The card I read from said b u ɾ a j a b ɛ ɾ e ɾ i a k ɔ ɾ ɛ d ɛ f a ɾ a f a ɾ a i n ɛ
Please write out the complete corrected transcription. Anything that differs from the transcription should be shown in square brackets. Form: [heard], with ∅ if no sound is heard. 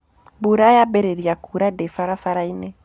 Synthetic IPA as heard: b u ɾ a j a b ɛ ɾ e ɾ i a k [u] ɾ [a] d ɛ f a ɾ a f a ɾ a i n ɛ